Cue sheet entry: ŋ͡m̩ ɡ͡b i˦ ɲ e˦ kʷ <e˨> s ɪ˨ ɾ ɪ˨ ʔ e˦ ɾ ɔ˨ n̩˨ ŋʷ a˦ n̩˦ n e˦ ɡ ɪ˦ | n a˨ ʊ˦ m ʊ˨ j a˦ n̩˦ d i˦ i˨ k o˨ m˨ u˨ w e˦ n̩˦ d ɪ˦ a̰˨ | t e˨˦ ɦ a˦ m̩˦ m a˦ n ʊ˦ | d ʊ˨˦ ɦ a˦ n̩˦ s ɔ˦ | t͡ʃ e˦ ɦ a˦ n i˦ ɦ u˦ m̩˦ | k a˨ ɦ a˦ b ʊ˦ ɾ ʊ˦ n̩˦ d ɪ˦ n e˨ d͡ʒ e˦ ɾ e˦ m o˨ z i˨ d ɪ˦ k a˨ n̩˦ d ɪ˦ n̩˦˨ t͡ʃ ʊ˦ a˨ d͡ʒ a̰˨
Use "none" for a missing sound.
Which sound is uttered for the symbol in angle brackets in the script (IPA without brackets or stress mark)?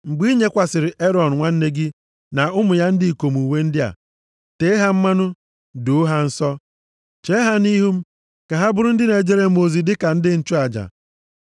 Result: a˨